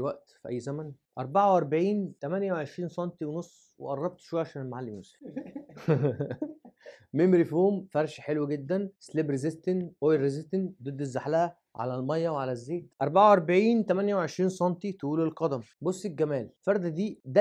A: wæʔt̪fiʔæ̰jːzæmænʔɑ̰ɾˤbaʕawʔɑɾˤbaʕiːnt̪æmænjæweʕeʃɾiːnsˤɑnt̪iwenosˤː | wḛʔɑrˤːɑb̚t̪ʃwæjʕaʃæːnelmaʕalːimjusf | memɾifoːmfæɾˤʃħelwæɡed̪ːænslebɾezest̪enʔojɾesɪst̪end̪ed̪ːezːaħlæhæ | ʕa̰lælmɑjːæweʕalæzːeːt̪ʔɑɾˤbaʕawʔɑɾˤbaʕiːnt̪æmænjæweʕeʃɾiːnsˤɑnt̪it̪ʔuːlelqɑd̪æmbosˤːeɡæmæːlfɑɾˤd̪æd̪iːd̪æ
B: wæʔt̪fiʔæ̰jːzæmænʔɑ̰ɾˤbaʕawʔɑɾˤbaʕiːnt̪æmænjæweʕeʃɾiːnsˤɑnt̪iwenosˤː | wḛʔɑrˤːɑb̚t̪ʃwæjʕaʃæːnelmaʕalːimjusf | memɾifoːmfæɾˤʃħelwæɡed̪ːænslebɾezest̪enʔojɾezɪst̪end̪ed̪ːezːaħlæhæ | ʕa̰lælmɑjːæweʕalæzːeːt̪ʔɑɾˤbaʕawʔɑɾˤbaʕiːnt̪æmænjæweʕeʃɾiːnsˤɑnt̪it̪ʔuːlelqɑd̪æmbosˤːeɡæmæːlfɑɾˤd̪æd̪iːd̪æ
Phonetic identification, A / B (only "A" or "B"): B